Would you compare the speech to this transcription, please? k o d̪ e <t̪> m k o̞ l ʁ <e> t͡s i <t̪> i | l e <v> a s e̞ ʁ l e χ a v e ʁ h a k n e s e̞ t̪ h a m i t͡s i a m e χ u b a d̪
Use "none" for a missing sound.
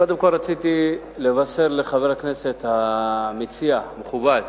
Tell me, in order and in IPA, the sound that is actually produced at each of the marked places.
none, a, t̪, v

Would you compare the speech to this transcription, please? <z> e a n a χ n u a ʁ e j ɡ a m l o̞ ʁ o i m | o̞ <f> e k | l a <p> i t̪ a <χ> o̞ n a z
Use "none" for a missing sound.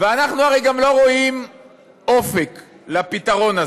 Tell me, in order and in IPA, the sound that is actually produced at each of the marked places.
v, f, p, ʁ

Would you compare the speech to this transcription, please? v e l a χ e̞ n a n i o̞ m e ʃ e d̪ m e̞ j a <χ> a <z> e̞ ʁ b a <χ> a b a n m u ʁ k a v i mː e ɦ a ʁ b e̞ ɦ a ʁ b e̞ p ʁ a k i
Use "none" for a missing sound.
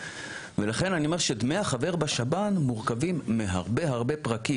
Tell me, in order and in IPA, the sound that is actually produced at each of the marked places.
χ, v, ʃ

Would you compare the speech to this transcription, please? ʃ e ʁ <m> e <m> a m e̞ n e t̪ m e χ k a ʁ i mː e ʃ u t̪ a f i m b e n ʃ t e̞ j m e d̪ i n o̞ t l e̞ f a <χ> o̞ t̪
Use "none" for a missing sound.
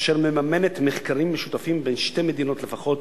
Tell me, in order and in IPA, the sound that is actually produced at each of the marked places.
m, m, χ

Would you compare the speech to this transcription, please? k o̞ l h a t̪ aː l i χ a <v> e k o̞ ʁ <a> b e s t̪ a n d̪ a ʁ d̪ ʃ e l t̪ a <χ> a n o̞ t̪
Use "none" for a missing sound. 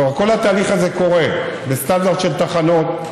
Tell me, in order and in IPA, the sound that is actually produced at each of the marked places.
z, e, χ

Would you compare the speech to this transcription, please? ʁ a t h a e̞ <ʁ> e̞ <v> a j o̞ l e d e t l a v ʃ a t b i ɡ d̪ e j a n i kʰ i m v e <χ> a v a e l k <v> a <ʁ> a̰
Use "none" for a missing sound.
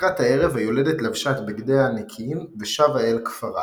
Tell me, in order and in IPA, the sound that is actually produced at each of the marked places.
ʁ, v, ʃ, f, ʁ

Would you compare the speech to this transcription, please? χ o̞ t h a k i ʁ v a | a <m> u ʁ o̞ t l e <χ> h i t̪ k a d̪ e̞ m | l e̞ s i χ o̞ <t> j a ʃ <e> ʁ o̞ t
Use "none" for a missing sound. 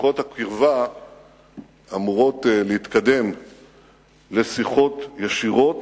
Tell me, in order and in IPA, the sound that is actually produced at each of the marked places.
m, none, t, i

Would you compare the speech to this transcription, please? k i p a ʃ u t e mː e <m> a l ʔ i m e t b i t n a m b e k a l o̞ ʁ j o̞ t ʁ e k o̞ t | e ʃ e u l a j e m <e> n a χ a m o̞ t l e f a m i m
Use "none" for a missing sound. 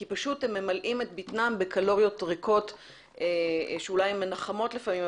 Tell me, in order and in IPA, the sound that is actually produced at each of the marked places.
m, e

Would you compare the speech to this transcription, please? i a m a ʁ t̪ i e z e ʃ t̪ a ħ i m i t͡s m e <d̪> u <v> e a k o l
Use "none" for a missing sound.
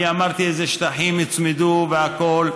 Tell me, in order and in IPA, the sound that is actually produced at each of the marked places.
d̪, v

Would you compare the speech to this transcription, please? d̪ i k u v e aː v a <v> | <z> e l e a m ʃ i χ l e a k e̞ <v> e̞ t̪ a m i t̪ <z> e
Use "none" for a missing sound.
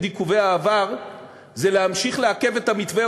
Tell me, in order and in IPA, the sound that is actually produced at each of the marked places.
ʁ, z, v, v

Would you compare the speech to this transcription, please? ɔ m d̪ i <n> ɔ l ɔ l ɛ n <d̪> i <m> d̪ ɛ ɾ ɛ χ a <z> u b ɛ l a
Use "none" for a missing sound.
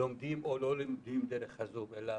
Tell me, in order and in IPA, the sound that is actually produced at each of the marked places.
m, d̪, m, z

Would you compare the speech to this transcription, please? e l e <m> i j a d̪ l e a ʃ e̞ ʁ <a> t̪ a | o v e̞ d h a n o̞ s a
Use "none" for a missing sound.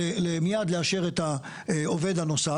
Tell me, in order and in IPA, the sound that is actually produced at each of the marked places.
m, e

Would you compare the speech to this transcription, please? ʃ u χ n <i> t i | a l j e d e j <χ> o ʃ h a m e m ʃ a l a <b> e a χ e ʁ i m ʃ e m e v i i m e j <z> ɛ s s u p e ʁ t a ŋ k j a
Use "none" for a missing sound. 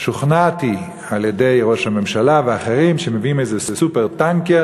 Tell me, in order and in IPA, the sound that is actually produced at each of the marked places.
a, ʁ, v, z

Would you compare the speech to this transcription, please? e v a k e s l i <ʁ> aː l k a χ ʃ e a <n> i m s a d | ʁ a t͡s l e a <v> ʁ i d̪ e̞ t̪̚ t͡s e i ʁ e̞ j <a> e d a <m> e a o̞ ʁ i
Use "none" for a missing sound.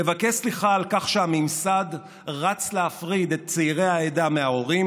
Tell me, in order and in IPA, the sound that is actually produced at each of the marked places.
χ, m, f, a, m

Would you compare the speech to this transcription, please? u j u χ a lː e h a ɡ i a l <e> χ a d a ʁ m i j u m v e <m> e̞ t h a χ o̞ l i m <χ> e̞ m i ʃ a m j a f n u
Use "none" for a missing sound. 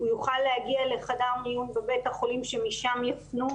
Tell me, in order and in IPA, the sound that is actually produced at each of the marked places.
e, b, ʃ

